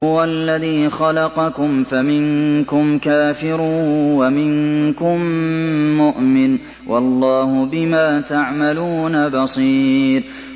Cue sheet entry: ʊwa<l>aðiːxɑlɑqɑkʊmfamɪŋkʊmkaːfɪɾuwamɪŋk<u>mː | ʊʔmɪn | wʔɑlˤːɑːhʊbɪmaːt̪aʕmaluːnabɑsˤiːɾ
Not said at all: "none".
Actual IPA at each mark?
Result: lː, ʊ

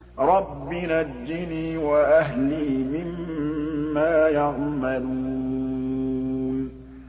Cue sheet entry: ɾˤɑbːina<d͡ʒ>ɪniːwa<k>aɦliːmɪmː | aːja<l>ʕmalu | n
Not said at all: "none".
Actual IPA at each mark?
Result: d͡ʒː, ʔ, none

